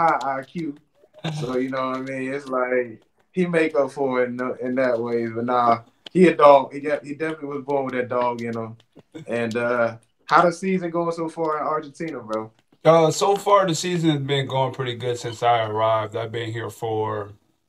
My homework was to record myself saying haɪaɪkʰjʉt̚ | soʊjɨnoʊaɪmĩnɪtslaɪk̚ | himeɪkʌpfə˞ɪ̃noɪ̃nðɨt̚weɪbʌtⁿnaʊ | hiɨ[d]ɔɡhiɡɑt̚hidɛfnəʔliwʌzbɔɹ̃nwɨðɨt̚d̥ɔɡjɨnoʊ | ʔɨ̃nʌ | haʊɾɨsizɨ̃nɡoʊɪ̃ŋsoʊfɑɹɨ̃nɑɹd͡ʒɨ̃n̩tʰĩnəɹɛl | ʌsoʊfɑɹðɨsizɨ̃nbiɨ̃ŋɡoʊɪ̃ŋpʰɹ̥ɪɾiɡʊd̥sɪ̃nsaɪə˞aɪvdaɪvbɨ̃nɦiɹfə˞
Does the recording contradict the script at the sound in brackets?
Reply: no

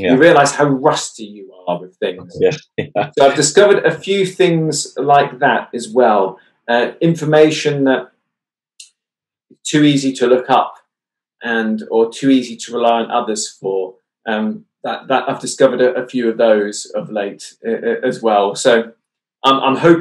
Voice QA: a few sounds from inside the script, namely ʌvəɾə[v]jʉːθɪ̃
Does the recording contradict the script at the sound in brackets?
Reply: yes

